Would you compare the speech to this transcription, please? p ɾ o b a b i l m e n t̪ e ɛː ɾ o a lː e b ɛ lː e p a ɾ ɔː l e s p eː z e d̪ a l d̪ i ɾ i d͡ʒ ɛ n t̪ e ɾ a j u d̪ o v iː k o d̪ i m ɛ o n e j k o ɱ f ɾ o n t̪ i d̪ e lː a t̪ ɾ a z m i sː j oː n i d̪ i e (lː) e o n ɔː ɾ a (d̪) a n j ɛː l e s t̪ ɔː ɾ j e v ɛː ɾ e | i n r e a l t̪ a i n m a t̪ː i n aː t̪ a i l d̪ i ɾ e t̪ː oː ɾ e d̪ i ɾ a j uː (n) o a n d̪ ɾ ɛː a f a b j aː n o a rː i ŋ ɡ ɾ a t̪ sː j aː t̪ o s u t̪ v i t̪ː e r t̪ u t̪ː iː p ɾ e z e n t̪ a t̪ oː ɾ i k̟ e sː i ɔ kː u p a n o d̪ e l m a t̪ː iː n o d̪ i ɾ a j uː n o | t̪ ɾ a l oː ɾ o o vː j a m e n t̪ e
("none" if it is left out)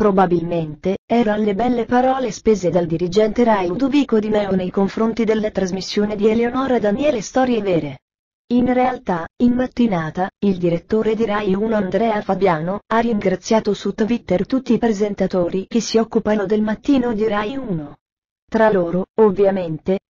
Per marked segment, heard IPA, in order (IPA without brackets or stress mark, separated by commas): l, d̪, n